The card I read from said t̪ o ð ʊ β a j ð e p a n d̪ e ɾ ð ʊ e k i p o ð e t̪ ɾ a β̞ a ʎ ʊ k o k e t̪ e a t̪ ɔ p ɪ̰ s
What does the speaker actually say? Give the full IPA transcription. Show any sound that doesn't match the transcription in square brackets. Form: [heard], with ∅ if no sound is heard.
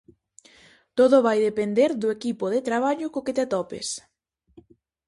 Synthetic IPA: t̪ o ð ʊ β a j ð e p [e] n d̪ e ɾ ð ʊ e k i p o ð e t̪ ɾ a β̞ a ʎ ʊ k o k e t̪ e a t̪ ɔ p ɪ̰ s